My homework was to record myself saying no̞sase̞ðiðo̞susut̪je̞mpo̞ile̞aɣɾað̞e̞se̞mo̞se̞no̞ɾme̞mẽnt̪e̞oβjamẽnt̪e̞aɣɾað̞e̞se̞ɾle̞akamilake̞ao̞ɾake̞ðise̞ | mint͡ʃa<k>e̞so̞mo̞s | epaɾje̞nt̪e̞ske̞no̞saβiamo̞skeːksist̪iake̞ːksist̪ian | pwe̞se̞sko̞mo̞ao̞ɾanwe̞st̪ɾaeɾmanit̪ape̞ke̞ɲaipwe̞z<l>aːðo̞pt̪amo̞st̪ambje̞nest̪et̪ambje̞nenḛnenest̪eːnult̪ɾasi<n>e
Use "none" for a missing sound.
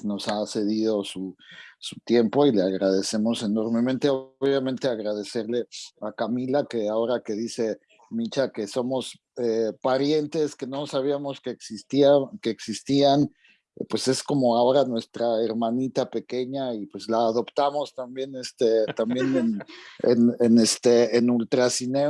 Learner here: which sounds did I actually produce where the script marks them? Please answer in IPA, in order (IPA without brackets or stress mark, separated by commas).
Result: k, l, n